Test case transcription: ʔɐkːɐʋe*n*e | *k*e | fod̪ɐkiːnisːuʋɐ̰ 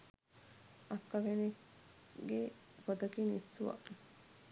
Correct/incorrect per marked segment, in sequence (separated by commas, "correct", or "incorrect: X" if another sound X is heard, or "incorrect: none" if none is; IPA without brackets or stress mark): correct, incorrect: ɡ